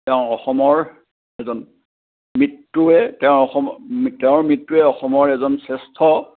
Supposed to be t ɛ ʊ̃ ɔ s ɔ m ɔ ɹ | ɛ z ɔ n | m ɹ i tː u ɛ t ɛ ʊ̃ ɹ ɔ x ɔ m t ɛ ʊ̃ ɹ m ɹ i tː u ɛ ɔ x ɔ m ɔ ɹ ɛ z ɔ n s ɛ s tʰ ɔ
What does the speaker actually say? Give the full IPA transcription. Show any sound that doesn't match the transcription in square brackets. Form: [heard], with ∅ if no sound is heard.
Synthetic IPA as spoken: t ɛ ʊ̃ ɔ [x] ɔ m ɔ ɹ | ɛ z ɔ n | m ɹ i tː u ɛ t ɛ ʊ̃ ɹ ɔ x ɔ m t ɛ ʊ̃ ɹ m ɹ i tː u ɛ ɔ x ɔ m ɔ ɹ ɛ z ɔ n s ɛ s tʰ ɔ